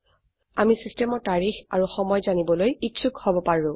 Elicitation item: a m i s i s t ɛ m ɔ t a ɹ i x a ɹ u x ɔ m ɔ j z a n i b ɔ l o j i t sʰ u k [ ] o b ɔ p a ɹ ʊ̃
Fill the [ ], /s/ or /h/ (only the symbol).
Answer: h